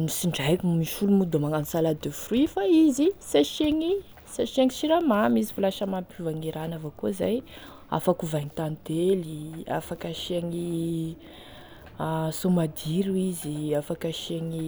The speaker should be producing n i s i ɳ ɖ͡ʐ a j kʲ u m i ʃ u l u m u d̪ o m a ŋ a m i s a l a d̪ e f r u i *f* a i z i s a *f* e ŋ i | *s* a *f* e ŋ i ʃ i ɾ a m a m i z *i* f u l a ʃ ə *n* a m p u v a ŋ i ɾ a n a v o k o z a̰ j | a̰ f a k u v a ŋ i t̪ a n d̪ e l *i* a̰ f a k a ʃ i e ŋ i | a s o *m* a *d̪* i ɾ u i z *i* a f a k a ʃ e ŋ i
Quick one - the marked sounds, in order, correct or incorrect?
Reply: correct, incorrect, correct, incorrect, correct, incorrect, correct, correct, correct, correct

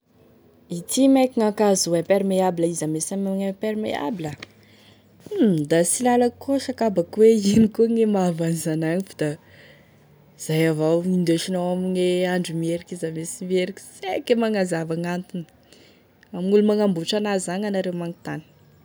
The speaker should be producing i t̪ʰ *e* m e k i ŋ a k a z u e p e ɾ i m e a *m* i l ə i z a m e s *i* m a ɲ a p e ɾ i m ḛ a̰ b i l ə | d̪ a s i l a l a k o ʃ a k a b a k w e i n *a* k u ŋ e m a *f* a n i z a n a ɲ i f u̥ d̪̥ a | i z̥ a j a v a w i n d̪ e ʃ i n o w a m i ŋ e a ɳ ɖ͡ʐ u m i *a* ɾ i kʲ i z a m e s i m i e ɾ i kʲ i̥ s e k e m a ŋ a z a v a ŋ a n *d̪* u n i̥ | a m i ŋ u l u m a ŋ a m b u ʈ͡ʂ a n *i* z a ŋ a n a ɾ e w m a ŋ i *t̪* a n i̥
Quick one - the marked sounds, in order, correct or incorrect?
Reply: incorrect, incorrect, incorrect, incorrect, incorrect, incorrect, incorrect, incorrect, correct

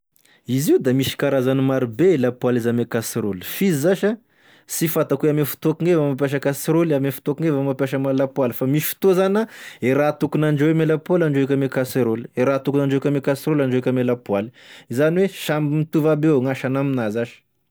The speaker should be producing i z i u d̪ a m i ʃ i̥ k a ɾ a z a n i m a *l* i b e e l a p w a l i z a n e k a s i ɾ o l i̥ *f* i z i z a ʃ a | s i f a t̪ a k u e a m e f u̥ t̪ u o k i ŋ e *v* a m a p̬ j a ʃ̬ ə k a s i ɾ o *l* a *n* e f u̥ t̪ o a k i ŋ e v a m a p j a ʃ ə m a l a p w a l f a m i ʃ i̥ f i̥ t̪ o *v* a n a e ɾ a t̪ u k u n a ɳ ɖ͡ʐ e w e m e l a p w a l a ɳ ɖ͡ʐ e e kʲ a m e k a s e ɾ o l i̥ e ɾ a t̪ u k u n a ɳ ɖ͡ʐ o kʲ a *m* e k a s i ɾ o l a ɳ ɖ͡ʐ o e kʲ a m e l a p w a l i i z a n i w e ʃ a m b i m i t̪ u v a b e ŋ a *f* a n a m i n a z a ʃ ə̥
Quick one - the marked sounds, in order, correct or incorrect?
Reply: incorrect, correct, correct, correct, incorrect, incorrect, correct, incorrect

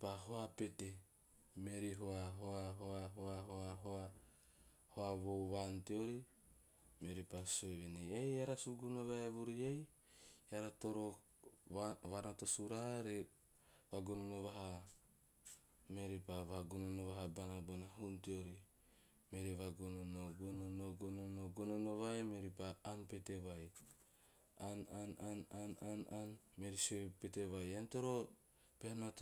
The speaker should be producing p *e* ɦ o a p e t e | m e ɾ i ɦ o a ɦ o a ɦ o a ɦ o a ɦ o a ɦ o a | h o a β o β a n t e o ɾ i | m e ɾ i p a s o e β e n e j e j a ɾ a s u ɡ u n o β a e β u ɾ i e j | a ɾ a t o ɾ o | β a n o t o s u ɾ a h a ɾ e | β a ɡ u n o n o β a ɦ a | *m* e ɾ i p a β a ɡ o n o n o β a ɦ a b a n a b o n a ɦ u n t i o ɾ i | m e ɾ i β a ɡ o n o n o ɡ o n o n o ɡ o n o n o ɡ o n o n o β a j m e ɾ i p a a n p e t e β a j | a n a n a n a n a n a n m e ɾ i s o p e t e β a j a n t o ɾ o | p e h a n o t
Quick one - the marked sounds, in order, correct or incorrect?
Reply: incorrect, correct

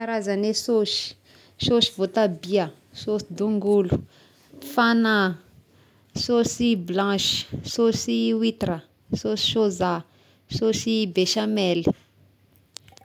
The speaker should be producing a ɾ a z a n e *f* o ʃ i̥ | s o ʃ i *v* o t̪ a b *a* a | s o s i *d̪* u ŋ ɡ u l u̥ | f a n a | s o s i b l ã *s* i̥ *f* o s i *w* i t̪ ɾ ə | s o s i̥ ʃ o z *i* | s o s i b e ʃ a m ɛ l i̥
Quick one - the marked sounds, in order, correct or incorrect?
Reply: incorrect, correct, incorrect, correct, incorrect, incorrect, correct, incorrect

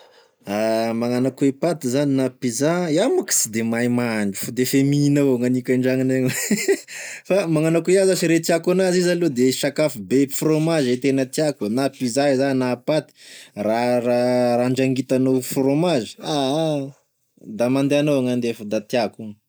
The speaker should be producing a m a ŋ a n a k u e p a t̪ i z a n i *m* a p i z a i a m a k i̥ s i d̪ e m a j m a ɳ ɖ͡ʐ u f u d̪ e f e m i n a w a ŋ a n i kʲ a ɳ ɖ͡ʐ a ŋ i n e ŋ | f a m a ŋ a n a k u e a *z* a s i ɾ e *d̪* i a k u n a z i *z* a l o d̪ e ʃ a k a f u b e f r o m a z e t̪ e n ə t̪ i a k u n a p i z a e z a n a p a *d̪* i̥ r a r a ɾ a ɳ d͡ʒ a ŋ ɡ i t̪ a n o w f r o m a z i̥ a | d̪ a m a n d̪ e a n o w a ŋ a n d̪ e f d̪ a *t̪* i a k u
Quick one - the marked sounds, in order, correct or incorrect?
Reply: incorrect, correct, incorrect, correct, incorrect, correct

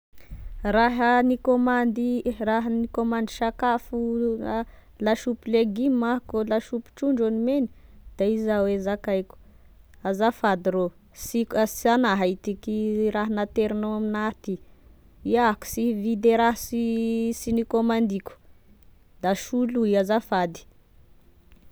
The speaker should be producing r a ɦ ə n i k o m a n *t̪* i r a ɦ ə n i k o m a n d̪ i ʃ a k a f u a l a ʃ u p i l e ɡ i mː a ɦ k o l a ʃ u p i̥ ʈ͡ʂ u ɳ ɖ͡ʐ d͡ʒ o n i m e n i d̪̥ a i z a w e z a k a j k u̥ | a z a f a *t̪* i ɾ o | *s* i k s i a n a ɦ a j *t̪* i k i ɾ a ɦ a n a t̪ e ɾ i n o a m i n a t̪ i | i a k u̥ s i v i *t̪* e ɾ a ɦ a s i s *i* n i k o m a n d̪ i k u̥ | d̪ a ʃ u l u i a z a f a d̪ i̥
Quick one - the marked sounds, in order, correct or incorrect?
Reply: incorrect, incorrect, correct, correct, incorrect, correct

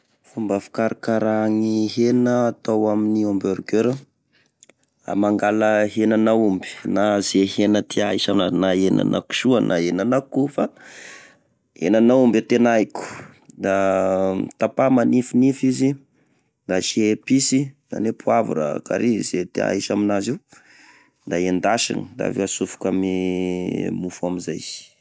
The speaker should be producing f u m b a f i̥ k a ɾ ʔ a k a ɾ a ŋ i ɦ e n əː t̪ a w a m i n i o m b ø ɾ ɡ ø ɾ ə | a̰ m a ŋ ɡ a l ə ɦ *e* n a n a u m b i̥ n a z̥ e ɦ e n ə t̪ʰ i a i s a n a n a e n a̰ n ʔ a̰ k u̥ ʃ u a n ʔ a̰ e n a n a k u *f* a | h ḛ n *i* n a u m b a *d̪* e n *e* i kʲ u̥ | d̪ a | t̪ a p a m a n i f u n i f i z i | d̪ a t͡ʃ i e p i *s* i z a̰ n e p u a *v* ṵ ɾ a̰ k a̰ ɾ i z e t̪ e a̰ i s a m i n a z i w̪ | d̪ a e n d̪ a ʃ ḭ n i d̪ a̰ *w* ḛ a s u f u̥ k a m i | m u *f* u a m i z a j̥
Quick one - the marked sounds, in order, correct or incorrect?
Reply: correct, correct, incorrect, incorrect, incorrect, correct, correct, incorrect, correct

